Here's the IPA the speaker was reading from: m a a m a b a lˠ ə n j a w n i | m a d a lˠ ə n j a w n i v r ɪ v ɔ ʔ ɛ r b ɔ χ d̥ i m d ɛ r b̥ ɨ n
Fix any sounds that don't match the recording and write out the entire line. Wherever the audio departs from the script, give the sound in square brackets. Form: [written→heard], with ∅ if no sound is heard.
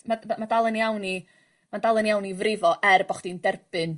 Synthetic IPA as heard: m a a m a [b→d] a lˠ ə n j a w n i | m a d a lˠ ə n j a w n i v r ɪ v ɔ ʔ ɛ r b ɔ χ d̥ i [m→n] d ɛ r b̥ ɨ n